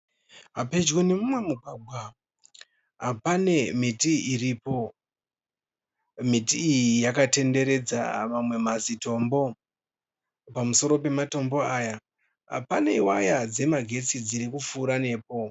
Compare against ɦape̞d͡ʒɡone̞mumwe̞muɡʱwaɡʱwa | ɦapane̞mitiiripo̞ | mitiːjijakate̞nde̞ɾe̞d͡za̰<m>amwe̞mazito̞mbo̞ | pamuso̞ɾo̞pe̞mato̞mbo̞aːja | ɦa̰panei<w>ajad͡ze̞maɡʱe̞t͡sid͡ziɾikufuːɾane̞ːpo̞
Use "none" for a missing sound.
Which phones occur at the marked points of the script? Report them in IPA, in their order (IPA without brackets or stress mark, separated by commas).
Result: m, w